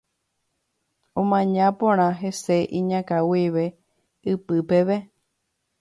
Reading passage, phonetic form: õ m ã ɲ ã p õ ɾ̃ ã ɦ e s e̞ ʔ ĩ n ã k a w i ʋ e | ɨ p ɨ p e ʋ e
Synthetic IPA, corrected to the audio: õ m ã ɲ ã p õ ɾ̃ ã ɦ e s e̞ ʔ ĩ ɲ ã k a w i ʋ e | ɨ p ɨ p e ʋ e